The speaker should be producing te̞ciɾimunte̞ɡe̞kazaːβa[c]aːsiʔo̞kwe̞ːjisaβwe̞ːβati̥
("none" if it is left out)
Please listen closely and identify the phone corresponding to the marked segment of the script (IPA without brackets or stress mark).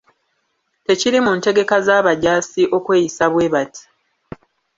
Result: ɟ